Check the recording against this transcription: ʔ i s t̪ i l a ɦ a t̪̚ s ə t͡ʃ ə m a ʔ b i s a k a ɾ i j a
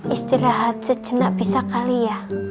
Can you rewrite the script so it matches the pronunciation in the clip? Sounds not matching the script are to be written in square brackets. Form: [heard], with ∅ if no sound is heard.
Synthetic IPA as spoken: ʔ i s t̪ i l a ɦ a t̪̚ s ə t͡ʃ ə [n] a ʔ b i s a k a [l] i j a